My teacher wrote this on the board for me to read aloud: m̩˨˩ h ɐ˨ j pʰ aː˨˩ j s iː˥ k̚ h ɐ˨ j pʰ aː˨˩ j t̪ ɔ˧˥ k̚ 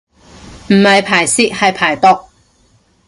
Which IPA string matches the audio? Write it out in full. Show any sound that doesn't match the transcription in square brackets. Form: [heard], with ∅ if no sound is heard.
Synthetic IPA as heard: m̩˨˩ h ɐ˨ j pʰ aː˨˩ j s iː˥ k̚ h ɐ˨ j pʰ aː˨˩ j t̪ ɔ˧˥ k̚